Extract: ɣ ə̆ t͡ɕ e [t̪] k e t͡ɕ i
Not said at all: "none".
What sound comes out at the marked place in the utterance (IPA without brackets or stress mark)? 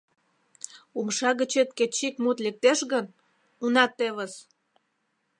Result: t̪